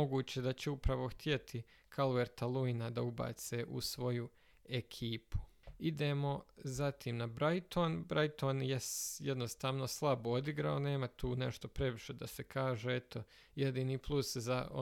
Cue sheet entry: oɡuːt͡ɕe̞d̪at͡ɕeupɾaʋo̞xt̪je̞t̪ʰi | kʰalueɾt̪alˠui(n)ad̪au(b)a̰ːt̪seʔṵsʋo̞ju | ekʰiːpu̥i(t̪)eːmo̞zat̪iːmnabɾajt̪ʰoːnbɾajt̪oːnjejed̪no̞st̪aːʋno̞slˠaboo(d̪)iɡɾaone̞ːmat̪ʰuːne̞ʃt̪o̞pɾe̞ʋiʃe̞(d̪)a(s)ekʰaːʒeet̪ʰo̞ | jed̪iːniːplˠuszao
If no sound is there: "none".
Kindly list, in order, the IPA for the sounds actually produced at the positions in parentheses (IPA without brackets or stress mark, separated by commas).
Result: n, b, d̪, d̪, d̪, s